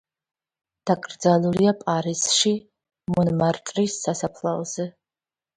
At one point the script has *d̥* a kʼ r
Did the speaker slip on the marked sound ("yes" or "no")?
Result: no